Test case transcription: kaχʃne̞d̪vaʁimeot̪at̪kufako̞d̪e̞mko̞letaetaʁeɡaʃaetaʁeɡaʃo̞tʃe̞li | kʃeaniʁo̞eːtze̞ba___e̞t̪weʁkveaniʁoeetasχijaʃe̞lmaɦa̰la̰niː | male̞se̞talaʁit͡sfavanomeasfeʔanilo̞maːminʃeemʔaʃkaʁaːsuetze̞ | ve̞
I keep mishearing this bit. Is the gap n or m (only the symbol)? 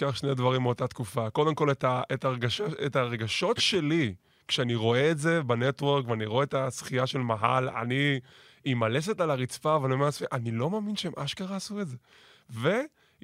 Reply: n